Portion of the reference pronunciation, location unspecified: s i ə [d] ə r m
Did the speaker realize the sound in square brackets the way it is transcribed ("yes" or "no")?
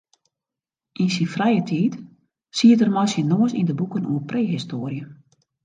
no